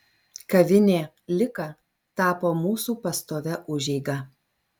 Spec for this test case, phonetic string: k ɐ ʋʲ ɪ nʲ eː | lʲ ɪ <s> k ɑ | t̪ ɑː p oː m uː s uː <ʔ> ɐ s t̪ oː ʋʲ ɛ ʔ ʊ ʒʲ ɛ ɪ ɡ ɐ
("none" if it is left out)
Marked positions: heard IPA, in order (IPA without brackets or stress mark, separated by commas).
none, p